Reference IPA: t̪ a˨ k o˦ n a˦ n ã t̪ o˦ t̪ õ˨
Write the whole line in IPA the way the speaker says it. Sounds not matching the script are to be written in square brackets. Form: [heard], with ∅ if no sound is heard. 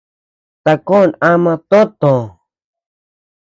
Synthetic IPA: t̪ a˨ k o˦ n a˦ [m] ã t̪ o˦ t̪ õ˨